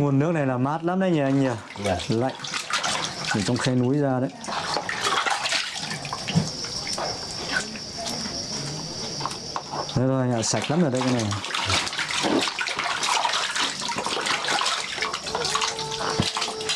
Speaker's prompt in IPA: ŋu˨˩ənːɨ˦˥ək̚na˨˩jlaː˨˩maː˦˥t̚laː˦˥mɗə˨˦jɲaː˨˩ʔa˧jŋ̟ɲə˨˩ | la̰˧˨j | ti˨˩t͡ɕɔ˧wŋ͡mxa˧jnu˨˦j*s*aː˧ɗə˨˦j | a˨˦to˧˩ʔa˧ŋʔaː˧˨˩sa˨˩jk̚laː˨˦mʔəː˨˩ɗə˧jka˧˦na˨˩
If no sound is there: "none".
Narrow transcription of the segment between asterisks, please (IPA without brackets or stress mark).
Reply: z